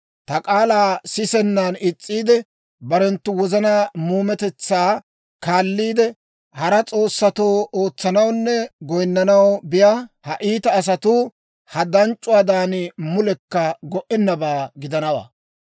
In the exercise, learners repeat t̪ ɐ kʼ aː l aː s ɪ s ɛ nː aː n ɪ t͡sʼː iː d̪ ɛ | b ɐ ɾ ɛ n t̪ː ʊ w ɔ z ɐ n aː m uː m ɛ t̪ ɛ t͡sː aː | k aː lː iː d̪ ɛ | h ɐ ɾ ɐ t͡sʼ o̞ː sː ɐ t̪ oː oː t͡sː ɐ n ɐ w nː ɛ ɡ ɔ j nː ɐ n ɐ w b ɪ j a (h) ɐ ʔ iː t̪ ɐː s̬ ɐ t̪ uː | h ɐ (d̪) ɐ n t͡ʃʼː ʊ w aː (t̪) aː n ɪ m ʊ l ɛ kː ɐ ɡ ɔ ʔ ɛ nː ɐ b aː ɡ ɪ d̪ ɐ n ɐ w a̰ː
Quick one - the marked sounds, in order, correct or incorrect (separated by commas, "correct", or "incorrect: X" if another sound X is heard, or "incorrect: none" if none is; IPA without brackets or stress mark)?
correct, correct, incorrect: d̪